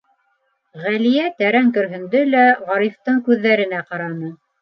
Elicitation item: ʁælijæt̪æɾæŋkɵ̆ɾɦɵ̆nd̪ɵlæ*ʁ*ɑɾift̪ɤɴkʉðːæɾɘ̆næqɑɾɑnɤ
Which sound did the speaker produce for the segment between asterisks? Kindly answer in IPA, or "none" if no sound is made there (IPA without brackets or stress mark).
ʁ